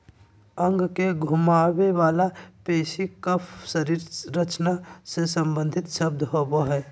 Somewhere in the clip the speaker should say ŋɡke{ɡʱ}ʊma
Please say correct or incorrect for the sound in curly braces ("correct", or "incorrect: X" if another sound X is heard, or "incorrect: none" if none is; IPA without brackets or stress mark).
correct